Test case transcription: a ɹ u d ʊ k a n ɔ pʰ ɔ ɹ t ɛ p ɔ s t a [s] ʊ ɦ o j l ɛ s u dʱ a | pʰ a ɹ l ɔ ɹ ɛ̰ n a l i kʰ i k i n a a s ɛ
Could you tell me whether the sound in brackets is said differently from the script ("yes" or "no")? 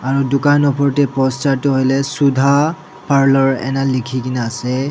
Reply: yes